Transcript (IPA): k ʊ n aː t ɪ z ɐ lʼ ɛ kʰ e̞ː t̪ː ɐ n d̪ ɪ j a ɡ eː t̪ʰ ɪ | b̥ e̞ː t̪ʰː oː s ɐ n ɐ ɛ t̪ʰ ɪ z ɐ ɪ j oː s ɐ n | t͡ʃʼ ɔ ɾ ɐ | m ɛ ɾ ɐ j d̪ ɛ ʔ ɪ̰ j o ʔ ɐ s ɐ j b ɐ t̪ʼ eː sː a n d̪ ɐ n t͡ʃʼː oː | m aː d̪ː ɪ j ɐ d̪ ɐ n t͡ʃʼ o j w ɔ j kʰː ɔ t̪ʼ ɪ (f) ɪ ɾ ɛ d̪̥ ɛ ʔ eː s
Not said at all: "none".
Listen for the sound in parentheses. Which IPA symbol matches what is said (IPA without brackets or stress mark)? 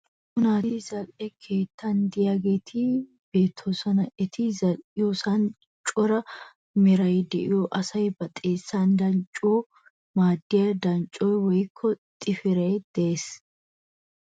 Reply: f